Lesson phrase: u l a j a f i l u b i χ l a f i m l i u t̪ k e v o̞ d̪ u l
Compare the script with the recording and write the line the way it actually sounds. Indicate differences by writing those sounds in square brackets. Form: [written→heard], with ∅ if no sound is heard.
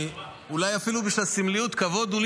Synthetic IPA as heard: u l a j a f i l u b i [χ→ʃ] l a [f→s] i m l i u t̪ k [e→a] v o̞ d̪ u l